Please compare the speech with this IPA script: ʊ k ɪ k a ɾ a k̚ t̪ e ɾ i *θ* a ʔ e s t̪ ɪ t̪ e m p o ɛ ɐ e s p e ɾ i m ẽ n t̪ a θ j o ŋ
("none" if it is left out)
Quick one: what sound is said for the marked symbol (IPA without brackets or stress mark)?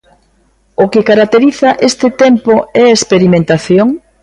θ